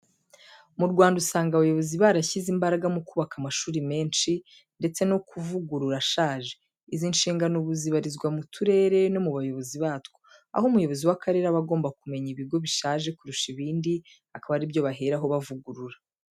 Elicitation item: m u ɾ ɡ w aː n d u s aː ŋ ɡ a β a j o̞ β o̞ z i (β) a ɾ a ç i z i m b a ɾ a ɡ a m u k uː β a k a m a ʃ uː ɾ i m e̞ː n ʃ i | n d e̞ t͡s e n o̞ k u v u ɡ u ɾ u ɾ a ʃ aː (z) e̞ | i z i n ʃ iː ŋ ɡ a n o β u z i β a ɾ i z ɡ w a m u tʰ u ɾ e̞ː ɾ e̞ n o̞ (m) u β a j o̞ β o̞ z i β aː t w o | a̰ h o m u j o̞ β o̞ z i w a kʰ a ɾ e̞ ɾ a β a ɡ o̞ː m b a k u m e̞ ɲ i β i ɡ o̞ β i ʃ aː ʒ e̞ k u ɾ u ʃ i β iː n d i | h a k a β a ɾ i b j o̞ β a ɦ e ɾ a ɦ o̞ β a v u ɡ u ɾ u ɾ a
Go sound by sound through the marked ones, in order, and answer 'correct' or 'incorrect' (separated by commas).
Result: correct, incorrect, correct